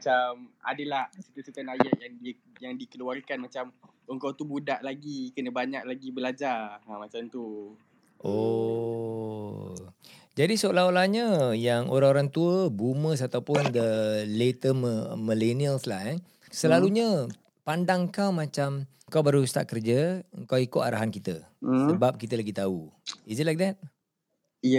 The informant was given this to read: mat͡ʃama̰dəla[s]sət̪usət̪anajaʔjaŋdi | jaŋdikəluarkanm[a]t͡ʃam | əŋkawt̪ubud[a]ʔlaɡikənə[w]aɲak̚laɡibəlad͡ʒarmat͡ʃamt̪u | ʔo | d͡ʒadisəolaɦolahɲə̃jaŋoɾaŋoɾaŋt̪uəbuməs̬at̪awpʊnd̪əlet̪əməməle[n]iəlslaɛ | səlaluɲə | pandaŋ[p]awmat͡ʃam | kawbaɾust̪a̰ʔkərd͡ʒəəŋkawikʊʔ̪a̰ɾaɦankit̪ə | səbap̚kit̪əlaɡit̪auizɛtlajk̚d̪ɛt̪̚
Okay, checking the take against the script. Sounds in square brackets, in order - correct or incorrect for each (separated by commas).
incorrect, correct, correct, incorrect, correct, incorrect